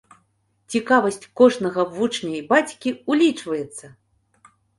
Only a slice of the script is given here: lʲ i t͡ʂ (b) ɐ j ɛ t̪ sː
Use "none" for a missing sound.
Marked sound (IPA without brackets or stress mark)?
v